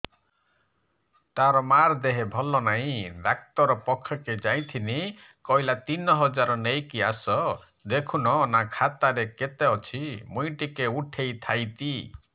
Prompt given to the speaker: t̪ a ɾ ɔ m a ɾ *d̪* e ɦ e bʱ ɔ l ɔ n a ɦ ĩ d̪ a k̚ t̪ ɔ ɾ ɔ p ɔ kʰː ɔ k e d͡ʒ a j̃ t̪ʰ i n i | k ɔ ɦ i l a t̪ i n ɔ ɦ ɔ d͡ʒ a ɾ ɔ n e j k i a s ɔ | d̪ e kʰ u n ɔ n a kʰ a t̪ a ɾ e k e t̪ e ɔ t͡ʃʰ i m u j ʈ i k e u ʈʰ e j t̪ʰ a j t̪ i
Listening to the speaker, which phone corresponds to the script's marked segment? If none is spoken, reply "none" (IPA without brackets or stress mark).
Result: d̪